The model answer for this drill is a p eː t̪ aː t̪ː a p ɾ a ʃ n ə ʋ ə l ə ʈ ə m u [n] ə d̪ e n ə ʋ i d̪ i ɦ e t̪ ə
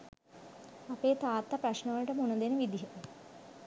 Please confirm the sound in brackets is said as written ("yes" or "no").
yes